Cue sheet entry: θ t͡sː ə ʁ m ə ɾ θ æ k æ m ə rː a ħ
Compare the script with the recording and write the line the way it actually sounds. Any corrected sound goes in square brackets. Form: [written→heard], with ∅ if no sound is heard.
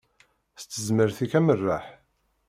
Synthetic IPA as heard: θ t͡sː ə [ʁ→z] m ə ɾ θ [æ→i] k æ m ə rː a ħ